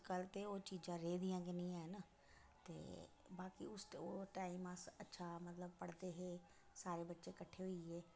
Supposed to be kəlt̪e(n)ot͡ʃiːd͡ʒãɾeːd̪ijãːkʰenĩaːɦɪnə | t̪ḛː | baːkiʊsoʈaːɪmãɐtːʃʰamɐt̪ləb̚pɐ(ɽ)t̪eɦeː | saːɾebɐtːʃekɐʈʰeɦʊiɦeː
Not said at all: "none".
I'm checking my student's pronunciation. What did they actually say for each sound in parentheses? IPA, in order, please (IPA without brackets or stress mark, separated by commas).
none, ɽ